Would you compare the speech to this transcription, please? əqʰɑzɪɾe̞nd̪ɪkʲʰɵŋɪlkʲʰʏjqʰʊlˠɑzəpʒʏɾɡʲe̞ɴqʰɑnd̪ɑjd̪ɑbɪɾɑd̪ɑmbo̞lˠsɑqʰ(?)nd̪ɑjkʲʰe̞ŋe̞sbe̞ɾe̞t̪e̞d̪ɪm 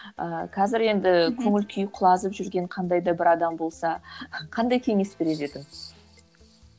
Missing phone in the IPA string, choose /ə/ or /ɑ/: ɑ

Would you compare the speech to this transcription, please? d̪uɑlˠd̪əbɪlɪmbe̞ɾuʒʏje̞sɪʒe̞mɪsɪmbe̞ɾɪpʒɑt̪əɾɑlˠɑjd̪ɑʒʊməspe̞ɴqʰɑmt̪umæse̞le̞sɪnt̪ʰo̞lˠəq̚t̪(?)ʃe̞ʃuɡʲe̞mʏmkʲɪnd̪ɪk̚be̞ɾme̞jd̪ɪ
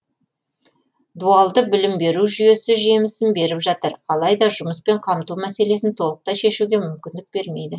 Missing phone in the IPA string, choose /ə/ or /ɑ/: ɑ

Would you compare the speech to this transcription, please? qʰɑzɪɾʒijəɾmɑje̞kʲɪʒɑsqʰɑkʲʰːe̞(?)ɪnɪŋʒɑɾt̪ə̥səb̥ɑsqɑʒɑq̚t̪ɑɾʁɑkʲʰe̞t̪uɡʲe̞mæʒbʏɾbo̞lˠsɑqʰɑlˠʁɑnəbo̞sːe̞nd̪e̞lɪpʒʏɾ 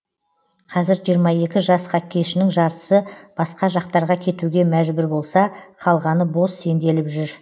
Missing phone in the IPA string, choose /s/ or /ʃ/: ʃ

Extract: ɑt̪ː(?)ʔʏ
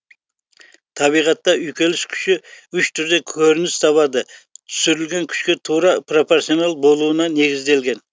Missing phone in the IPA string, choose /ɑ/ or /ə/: ɑ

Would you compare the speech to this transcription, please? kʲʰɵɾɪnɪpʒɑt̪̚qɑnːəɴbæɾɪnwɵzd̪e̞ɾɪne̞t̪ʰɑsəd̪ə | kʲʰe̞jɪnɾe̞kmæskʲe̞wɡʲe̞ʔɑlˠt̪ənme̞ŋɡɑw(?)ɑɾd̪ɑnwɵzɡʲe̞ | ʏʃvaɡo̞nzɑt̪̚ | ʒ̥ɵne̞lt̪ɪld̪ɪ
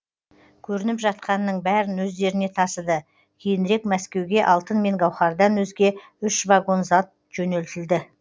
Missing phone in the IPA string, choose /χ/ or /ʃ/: χ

